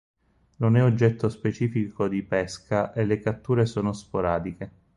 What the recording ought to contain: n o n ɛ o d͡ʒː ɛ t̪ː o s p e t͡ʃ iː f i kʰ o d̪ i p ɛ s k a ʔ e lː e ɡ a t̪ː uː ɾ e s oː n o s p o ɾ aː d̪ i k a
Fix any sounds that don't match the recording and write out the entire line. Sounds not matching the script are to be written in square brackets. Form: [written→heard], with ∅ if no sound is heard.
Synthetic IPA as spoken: n o n ɛ o d͡ʒː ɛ t̪ː o s p e t͡ʃ iː f i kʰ o d̪ i p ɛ s k a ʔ e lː e [ɡ→k] a t̪ː uː ɾ e s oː n o s p o ɾ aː d̪ i k [a→e]